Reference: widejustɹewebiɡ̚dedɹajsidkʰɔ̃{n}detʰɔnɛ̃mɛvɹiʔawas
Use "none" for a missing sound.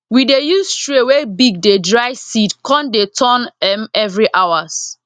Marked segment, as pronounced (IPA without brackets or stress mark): n